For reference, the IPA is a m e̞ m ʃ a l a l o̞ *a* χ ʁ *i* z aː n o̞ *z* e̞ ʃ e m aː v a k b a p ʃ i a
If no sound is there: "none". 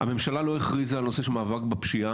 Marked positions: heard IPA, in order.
e, i, s

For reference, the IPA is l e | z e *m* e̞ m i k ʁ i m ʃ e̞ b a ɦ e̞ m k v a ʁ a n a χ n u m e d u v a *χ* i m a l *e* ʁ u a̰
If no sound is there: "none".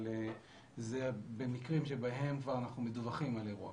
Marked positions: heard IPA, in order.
b, χ, e

